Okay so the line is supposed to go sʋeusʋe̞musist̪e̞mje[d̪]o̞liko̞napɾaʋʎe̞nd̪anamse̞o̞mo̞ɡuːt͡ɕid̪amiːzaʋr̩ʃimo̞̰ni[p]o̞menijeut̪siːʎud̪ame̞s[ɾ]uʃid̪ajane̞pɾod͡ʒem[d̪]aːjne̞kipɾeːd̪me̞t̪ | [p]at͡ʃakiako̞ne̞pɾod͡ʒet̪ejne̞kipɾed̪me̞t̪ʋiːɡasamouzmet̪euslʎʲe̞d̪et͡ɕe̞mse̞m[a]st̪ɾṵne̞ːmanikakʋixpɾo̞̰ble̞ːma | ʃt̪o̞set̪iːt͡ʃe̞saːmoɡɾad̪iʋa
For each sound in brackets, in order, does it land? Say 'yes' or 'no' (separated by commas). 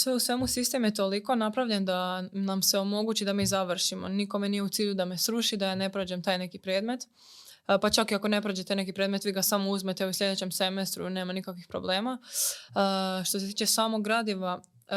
no, no, yes, no, yes, no